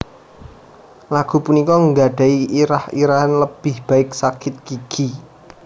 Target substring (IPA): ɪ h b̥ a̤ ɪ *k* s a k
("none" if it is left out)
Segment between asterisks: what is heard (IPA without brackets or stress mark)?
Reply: k